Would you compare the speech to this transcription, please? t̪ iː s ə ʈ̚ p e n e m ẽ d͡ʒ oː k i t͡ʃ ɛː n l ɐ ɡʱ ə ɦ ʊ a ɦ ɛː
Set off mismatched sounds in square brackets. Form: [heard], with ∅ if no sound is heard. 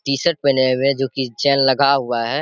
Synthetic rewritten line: t̪ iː s ə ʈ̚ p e n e m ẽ d͡ʒ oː k i t͡ʃ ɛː n l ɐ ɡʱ [a] ɦ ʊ a ɦ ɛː